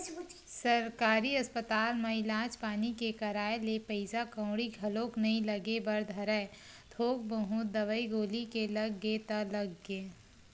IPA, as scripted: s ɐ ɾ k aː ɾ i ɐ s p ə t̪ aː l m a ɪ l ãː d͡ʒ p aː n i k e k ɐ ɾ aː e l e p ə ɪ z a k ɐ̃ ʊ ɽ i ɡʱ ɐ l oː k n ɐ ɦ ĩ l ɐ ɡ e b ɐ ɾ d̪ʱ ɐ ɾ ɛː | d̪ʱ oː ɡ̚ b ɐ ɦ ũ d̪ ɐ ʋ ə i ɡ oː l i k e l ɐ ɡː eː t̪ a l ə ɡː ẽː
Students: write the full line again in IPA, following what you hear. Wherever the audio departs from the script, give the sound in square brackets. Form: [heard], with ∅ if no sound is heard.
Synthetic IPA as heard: s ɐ ɾ k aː ɾ i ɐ s p ə t̪ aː l m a ɪ l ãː d͡ʒ p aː n i k e k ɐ ɾ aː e l e p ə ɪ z a k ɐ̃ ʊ ɽ i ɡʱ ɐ l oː k n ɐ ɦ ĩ l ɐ ɡ e b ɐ ɾ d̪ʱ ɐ ɾ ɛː | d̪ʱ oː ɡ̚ b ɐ ɦ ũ d̪ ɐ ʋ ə i ɡ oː l i k e l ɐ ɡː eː t̪ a l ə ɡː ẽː